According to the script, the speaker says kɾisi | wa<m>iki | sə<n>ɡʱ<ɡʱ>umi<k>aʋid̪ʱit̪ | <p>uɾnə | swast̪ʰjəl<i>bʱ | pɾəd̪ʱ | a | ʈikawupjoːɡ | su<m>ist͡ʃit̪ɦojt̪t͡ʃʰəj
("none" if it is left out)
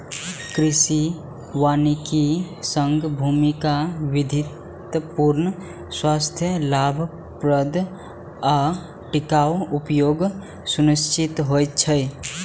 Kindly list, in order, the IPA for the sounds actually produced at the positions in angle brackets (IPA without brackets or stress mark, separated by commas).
n, ŋ, bʱ, k, p, a, n